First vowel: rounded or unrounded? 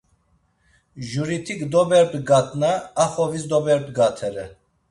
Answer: rounded